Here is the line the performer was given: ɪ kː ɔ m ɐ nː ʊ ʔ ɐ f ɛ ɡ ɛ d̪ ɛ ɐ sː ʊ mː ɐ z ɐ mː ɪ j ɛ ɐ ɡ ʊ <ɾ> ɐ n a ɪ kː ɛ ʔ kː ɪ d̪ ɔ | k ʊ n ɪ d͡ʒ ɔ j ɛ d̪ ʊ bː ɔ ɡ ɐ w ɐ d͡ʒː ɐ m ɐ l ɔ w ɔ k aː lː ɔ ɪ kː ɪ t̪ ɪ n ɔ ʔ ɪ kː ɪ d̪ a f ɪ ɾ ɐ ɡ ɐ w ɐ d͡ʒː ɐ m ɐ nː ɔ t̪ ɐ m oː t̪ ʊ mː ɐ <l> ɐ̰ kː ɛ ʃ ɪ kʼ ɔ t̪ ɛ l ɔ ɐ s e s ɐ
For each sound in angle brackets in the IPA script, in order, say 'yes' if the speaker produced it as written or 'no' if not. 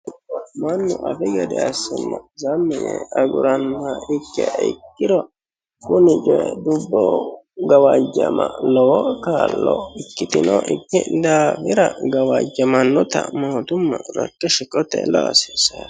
yes, no

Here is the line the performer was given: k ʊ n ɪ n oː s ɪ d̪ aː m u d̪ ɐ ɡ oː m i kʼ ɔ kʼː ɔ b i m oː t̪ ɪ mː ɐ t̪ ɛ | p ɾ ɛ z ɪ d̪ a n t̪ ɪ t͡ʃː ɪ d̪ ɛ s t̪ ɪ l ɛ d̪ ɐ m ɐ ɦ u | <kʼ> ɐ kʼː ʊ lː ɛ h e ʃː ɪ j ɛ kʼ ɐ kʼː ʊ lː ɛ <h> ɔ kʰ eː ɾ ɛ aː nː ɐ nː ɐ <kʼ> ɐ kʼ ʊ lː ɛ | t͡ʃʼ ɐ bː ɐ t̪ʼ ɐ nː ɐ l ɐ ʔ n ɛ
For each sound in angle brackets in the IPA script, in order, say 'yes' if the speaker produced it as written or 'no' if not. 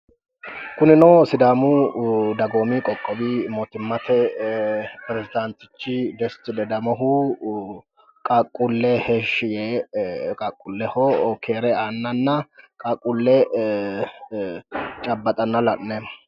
yes, yes, yes

